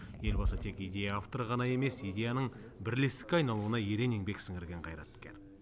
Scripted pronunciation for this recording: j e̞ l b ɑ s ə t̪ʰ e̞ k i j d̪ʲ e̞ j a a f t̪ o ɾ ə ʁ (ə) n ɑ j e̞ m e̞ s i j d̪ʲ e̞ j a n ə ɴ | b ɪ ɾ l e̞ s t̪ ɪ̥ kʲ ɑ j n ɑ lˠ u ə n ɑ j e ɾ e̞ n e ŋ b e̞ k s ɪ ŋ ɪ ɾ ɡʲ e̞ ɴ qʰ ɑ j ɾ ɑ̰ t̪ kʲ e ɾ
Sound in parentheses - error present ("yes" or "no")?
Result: yes